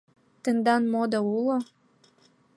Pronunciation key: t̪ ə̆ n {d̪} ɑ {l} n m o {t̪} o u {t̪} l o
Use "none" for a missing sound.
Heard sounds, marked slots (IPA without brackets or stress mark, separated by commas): d̪, none, d̪, none